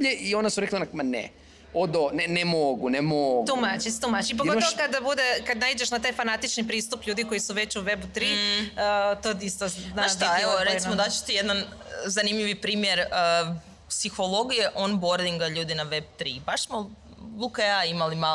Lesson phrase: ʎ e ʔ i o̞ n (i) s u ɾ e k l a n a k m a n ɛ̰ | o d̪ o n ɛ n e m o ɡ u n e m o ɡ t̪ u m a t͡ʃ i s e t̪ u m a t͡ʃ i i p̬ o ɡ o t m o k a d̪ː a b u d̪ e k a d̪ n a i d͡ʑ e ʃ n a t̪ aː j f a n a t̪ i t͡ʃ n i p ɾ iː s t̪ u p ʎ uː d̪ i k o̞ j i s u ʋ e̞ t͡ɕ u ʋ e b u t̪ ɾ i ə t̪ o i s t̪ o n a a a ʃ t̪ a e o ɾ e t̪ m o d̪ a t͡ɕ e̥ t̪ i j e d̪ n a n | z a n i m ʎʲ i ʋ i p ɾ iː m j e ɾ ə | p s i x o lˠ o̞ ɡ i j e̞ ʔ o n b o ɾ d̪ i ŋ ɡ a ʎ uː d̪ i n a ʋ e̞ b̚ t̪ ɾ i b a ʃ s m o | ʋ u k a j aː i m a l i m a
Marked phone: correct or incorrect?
incorrect